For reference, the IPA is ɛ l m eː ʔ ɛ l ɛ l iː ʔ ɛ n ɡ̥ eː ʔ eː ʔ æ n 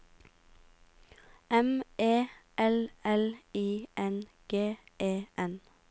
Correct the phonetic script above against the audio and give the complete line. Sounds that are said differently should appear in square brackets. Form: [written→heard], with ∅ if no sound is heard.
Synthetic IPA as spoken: ɛ [l→∅] m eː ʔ ɛ l ɛ l iː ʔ ɛ n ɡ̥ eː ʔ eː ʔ [æ→ɛ] n

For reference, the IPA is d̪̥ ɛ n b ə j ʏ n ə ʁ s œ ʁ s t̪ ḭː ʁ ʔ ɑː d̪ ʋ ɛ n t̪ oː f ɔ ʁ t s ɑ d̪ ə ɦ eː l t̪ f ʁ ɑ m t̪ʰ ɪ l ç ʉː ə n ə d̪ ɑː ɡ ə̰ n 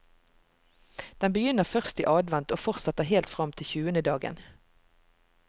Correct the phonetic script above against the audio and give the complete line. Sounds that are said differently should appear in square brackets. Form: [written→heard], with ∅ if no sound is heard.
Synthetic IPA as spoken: d̪̥ ɛ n b ə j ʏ n ə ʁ [s→f] œ ʁ s t̪ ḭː [ʁ→∅] ʔ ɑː d̪ ʋ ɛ n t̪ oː f ɔ ʁ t s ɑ [d̪→t̪] ə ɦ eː l t̪ f ʁ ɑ m t̪ʰ ɪ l ç ʉː ə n ə d̪ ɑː ɡ ə̰ n

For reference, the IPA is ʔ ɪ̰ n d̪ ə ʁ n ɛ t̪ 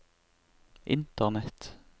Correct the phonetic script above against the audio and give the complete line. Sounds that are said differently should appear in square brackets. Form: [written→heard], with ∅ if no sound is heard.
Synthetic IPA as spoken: ʔ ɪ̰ n [d̪→t̪] ə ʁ n ɛ t̪

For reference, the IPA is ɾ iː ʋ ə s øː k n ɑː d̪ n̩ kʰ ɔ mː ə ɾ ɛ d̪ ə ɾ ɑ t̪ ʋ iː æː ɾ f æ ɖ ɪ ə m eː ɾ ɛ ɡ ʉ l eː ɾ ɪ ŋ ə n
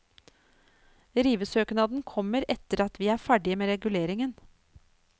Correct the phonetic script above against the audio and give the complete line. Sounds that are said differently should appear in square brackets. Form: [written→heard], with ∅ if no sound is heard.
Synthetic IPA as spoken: ɾ iː ʋ ə s øː k n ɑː d̪ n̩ kʰ ɔ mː ə ɾ ɛ [d̪→t̪] ə ɾ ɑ t̪ ʋ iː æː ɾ f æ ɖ ɪ ə m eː ɾ ɛ ɡ ʉ l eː ɾ ɪ ŋ ə n

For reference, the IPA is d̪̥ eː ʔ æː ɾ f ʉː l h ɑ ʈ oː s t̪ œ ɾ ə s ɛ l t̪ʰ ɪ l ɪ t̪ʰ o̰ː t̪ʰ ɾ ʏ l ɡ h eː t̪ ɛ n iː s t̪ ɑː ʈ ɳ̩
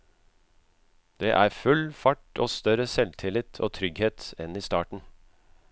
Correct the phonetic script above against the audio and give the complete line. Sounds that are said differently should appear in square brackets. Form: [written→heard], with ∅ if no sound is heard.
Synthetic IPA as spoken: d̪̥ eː ʔ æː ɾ f [ʉː→ʉ] l [h→f] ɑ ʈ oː s t̪ œ ɾ ə s ɛ l t̪ʰ ɪ l ɪ t̪ʰ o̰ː t̪ʰ ɾ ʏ [l→∅] ɡ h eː t̪ ɛ n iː s t̪ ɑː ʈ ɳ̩

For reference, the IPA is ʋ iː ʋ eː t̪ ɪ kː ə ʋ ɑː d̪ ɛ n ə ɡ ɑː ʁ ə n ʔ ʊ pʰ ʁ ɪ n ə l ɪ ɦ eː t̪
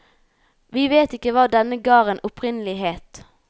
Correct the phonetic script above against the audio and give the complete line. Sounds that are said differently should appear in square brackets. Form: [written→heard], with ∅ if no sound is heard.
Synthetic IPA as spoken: ʋ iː ʋ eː t̪ ɪ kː ə ʋ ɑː d̪ ɛ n ə ɡ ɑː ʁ ə n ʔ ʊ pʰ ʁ ɪ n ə l ɪ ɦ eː t̪

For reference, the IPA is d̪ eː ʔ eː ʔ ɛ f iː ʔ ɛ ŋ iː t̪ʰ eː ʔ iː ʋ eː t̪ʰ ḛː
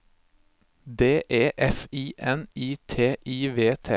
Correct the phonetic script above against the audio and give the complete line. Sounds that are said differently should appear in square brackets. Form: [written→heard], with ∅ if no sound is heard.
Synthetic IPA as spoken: d̪ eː ʔ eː ʔ ɛ f iː ʔ ɛ [ŋ→n] iː t̪ʰ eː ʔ iː ʋ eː t̪ʰ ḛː

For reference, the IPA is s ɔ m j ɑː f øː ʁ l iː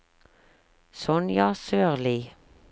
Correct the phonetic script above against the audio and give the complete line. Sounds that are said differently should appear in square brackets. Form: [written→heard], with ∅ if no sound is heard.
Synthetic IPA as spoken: s ɔ [m→n] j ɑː [f→s] øː ʁ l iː

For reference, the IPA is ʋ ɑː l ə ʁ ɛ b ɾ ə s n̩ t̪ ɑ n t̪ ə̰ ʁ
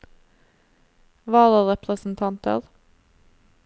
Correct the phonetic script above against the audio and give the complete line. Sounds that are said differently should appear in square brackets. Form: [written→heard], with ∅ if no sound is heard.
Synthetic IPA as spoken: ʋ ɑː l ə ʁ ɛ [b→p] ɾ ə s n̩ [t̪→t̪ʰ] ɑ n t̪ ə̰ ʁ

